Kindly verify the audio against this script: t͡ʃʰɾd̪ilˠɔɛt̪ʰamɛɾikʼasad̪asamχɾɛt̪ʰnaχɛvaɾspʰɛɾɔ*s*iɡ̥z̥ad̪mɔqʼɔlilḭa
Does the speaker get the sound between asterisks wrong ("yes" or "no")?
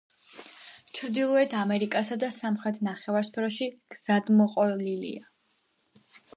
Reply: yes